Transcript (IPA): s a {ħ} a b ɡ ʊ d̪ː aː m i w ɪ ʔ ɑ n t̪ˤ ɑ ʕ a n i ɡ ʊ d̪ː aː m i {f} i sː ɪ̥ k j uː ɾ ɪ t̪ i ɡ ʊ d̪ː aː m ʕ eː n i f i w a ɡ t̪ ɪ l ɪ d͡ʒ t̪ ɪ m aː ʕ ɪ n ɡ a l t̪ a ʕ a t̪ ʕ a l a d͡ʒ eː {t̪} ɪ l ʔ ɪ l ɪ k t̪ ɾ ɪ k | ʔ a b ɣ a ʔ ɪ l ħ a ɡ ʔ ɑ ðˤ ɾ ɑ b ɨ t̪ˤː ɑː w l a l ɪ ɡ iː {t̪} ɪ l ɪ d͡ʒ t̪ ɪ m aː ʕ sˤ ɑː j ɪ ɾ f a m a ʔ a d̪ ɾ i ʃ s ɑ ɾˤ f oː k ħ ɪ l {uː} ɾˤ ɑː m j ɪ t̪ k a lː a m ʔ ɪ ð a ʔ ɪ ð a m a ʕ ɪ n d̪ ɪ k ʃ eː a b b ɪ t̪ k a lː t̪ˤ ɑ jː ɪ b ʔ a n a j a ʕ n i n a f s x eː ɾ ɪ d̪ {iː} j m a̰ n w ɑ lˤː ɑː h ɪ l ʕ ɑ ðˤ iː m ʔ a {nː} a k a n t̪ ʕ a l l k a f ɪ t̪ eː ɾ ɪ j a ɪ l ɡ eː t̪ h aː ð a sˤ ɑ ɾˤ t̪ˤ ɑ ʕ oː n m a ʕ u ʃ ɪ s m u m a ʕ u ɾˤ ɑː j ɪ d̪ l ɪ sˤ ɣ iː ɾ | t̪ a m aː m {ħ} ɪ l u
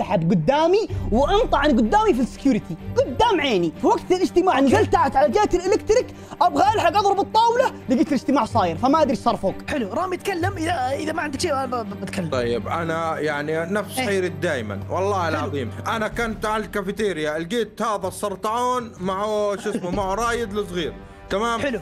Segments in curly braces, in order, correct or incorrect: correct, correct, correct, correct, incorrect: u, incorrect: aː, incorrect: n, correct

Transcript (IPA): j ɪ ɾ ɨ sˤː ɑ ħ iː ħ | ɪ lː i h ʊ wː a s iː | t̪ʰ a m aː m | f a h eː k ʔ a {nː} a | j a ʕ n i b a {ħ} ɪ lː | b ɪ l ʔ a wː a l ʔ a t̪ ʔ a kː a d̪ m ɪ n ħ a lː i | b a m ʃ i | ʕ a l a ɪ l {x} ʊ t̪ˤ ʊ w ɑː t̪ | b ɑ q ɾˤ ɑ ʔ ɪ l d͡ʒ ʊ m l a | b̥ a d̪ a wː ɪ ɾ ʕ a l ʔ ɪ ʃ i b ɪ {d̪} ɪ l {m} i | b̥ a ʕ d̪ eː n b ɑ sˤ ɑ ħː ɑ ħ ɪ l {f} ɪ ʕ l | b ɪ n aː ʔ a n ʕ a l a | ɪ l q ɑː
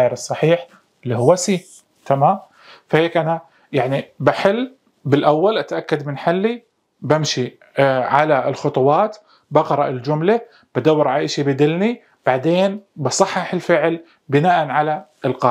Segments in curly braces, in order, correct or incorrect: incorrect: n, correct, correct, correct, incorrect: n, correct

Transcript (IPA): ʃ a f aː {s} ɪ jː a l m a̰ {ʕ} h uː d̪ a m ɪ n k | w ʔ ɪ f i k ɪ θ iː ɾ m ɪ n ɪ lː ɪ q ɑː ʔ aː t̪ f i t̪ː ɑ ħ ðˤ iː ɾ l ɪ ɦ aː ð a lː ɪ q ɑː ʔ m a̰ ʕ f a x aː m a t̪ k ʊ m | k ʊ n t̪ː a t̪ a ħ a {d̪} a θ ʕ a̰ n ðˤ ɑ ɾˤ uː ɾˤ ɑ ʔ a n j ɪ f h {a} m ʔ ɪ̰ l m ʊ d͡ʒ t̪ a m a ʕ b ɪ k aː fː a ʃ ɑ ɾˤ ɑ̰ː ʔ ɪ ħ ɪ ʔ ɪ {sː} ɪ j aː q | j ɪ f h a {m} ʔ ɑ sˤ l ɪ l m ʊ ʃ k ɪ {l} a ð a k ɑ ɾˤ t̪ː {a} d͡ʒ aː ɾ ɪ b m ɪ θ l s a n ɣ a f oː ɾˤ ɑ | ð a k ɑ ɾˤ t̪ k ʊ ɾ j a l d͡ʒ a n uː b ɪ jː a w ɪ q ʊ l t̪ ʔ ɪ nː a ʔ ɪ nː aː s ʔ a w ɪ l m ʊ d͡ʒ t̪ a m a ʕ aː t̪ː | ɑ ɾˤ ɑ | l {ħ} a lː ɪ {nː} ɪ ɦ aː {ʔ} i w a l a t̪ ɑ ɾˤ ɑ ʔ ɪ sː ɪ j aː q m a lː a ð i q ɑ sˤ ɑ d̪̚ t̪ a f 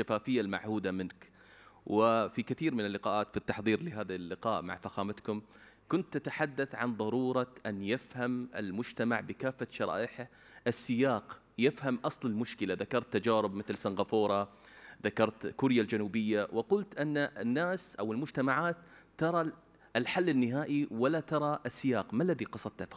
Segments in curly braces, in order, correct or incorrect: incorrect: f, correct, incorrect: d̪ː, correct, correct, correct, correct, correct, correct, correct, correct

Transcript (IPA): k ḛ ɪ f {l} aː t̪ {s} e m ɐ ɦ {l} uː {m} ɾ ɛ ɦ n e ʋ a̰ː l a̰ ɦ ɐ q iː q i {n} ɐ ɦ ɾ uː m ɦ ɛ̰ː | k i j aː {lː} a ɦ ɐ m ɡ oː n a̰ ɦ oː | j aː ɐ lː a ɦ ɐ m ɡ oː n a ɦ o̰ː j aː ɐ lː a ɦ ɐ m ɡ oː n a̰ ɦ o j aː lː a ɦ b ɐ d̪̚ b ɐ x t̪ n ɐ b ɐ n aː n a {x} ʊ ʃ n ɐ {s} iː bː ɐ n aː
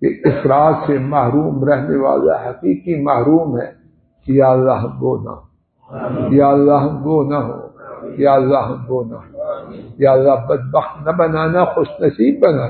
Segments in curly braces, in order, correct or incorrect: incorrect: ɾ, correct, incorrect: ɾ, correct, incorrect: m, correct, correct, correct

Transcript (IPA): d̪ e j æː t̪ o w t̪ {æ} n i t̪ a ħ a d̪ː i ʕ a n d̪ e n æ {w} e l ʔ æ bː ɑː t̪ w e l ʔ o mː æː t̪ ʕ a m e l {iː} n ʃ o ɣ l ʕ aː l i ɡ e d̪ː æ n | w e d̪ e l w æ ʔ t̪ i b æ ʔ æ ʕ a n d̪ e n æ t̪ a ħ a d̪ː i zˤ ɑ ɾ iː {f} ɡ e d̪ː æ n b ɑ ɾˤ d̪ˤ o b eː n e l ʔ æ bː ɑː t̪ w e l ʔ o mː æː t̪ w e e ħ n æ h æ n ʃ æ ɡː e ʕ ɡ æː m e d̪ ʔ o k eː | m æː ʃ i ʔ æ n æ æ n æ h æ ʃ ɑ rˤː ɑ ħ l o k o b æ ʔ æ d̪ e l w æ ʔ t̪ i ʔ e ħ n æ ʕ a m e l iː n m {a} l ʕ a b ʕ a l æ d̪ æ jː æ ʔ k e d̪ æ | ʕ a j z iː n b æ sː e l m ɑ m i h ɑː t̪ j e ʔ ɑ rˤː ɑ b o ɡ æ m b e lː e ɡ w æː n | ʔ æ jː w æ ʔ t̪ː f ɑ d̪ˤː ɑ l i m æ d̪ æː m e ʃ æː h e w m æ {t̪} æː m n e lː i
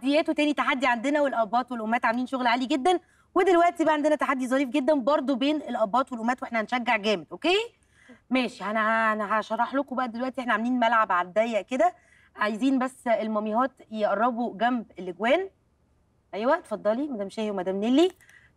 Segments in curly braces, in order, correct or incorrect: incorrect: æː, correct, correct, correct, incorrect: æ, incorrect: d̪

